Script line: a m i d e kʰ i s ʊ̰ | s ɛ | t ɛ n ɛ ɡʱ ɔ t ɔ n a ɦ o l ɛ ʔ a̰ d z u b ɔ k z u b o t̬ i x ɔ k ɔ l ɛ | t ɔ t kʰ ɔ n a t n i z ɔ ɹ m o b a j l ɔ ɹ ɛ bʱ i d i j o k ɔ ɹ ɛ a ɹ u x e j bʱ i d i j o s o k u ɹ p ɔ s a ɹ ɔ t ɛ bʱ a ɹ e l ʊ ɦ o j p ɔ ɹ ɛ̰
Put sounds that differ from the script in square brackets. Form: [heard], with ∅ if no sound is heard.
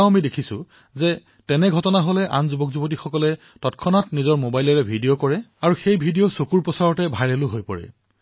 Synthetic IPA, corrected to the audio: a m i d e kʰ i s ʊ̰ | [z] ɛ | t ɛ n ɛ ɡʱ ɔ t ɔ n a ɦ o l ɛ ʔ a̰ [n] z u b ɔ k z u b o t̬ i x ɔ k ɔ l ɛ | t ɔ t kʰ ɔ n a t n i z ɔ ɹ m o b a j l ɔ ɹ ɛ bʱ i d i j o k ɔ ɹ ɛ a ɹ u x e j bʱ i d i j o s o k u ɹ p ɔ s a ɹ ɔ t ɛ bʱ a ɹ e l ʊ ɦ o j p ɔ ɹ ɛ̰